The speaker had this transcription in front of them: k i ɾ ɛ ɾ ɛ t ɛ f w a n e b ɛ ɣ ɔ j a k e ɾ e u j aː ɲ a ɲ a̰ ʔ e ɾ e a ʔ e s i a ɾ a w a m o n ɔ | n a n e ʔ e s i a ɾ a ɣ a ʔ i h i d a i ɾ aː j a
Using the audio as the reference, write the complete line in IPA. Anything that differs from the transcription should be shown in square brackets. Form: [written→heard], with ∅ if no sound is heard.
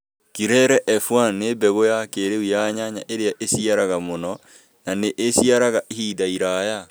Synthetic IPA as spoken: k i ɾ ɛ ɾ ɛ [t→ʔ] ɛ f w a n e b ɛ ɣ [ɔ→o] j a k e ɾ e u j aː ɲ a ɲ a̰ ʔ e ɾ e a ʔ e s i a ɾ a [w→ɣ] a m o n ɔ | n a n e ʔ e s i a ɾ a ɣ a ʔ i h i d a i ɾ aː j a